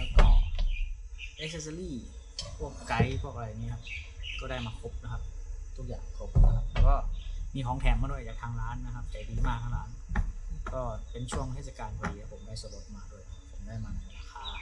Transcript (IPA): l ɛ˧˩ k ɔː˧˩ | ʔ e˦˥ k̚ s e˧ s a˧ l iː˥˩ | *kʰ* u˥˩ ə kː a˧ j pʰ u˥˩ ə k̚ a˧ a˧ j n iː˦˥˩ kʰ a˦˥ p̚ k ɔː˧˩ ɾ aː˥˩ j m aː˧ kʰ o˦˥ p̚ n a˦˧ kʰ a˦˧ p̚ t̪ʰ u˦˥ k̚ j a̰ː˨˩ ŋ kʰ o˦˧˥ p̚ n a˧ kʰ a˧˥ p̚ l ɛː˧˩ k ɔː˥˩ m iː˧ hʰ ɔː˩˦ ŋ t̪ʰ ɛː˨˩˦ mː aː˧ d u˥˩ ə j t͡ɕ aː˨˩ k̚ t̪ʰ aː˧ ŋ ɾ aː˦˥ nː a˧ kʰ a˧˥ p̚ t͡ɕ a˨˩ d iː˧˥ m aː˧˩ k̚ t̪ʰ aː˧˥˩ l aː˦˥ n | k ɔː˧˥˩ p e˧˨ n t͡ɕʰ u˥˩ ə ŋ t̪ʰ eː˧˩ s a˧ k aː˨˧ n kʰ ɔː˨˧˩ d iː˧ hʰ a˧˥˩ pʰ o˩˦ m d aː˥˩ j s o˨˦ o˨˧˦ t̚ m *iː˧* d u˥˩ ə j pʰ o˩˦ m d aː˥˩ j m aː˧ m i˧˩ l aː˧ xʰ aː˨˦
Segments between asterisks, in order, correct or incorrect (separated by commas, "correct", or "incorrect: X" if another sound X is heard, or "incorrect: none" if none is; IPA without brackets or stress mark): incorrect: pʰ, incorrect: aː˧